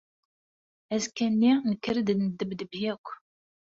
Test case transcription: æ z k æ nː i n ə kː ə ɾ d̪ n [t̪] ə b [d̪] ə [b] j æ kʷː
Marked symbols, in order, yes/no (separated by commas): no, yes, yes